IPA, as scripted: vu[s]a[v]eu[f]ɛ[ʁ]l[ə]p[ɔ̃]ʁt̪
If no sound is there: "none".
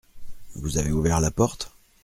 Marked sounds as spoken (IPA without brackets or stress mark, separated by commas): z, v, v, ʁ, a, ɔ